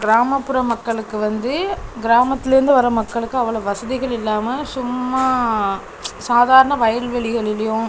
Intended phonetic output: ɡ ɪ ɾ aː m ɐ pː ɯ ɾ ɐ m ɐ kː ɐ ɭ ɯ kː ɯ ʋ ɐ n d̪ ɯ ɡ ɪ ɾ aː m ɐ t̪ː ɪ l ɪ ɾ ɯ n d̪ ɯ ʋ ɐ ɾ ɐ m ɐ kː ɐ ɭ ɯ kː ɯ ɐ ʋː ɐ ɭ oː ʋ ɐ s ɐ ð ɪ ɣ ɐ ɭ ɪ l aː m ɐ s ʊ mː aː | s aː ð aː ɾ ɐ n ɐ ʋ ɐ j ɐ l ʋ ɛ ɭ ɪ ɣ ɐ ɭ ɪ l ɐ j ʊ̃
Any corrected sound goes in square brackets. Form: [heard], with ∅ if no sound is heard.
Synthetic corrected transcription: ɡ ɪ ɾ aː m ɐ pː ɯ ɾ ɐ m ɐ kː ɐ ɭ ɯ kː ɯ ʋ ɐ n d̪ ɯ ɡ ɪ ɾ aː m ɐ t̪ː ɪ l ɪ ɾ ɯ n d̪ ɯ ʋ ɐ ɾ ɐ m ɐ kː ɐ ɭ ɯ kː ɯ ɐ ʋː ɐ ɭ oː ʋ ɐ s ɐ ð ɪ ɣ ɐ ɭ ɪ [lː] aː m ɐ s ʊ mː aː | s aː ð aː ɾ ɐ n ɐ ʋ ɐ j ɐ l ʋ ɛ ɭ ɪ ɣ ɐ ɭ ɪ l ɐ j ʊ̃